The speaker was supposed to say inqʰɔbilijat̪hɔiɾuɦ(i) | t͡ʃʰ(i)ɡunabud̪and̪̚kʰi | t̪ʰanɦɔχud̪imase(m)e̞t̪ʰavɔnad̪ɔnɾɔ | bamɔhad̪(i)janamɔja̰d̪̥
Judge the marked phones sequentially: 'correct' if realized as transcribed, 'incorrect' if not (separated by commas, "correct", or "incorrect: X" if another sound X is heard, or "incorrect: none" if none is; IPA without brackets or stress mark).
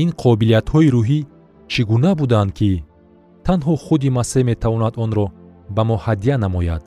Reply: correct, correct, correct, correct